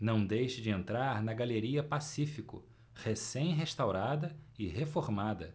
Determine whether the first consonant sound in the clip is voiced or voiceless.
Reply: voiced